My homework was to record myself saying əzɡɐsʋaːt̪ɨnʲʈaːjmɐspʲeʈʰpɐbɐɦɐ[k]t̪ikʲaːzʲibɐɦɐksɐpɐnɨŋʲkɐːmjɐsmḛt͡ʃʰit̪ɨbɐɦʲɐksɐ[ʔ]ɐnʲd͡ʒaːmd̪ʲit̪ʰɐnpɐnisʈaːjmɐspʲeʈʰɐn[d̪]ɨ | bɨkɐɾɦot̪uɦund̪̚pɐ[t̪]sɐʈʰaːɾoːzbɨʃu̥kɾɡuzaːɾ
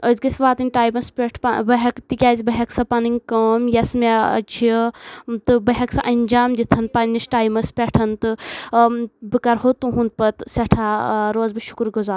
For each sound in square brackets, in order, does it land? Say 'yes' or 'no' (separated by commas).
yes, yes, no, yes